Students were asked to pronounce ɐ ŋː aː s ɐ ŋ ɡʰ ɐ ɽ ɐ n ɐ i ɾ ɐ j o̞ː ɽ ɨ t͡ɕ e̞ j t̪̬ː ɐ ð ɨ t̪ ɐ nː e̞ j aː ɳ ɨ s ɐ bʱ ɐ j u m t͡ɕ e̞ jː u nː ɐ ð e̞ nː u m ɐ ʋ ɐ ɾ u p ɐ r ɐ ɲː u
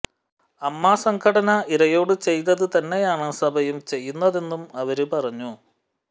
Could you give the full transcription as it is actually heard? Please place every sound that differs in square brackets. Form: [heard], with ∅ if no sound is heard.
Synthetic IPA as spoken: ɐ [mː] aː s ɐ ŋ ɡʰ ɐ ɽ ɐ n ɐ i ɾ ɐ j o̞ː ɽ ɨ t͡ɕ e̞ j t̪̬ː ɐ ð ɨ t̪ ɐ nː e̞ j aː ɳ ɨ s ɐ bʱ ɐ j u m t͡ɕ e̞ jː u nː ɐ ð e̞ nː u m ɐ ʋ ɐ ɾ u p ɐ r ɐ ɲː u